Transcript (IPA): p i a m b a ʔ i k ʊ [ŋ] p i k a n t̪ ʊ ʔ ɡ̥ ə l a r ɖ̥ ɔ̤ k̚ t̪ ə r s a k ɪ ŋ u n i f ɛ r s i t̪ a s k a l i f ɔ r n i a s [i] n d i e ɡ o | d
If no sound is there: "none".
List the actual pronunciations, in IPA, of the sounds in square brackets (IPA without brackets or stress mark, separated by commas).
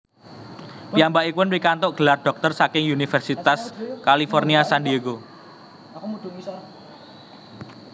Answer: n, a